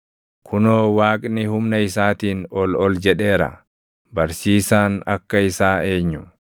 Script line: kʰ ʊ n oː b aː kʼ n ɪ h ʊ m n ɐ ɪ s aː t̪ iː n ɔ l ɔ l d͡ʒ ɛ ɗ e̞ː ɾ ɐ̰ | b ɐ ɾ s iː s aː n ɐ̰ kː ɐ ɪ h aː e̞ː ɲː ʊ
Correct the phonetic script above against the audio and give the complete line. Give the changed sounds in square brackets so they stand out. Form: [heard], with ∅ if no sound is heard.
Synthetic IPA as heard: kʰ ʊ n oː [w] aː kʼ n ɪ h ʊ m n ɐ ɪ s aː t̪ iː n ɔ l ɔ l d͡ʒ ɛ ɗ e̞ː ɾ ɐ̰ | b ɐ ɾ s iː s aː n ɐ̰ kː ɐ ɪ [s] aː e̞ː ɲː ʊ